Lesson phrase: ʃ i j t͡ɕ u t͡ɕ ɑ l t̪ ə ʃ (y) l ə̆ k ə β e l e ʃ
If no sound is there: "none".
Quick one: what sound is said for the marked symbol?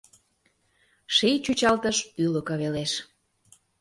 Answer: y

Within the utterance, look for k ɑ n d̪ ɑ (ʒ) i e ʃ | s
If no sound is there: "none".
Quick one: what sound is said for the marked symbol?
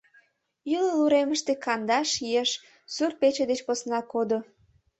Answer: ʃ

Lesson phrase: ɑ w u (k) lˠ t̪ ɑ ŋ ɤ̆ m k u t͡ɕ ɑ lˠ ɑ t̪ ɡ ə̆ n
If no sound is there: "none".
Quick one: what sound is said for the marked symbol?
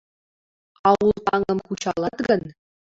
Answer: none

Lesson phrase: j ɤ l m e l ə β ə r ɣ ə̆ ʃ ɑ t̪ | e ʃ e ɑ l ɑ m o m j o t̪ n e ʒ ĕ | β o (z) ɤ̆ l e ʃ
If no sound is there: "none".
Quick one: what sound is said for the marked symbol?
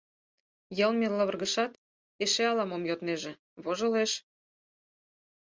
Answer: ʒ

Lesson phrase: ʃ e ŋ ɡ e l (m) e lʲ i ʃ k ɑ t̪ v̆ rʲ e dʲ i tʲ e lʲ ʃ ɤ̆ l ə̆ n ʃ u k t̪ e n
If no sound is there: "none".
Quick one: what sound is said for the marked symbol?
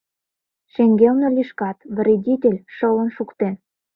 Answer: n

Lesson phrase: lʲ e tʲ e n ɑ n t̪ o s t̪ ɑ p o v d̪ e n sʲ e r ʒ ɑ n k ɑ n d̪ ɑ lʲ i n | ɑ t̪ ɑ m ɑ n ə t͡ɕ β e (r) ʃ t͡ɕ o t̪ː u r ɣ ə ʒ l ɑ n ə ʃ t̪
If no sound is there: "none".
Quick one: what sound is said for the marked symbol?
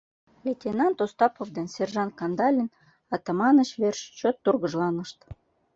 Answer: r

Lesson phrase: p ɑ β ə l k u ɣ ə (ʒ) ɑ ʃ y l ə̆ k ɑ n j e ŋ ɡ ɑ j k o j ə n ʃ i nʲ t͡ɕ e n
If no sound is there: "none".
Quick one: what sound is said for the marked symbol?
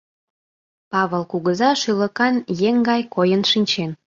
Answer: z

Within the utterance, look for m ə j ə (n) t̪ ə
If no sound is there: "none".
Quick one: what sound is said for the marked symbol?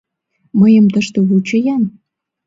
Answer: m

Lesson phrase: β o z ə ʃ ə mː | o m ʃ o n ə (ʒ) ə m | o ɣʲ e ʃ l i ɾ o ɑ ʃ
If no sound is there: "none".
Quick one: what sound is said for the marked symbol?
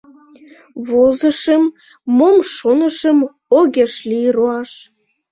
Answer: ʃ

